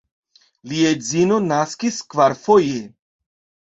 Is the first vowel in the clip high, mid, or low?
high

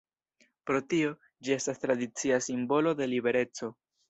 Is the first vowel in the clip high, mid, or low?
mid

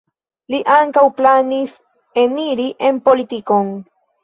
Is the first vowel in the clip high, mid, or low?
high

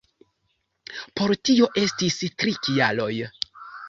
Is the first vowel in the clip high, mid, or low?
mid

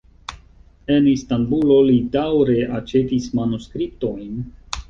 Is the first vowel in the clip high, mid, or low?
mid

